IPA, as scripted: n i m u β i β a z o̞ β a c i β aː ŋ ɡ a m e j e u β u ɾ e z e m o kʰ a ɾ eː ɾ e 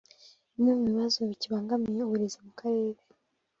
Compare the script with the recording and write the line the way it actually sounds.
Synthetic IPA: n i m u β i β a z o̞ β i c i β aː ŋ ɡ a m i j e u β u ɾ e z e m u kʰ a ɾ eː ɾ e